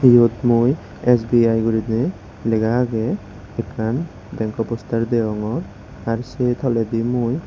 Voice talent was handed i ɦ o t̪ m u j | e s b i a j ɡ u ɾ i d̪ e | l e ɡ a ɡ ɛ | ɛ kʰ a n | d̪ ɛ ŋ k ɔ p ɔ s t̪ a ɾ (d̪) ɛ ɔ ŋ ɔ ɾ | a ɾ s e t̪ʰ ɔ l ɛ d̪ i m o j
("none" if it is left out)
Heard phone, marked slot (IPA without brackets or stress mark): d̪